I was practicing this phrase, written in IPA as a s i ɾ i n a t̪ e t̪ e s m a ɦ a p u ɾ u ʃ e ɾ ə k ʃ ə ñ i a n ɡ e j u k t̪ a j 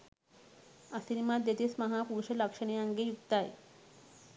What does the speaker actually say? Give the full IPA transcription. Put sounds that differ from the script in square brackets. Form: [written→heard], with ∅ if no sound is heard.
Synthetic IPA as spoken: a s i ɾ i [n→m] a [t̪→d̪] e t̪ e s m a ɦ a p u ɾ u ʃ e [ɾ→l] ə k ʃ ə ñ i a [n→ŋ] ɡ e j u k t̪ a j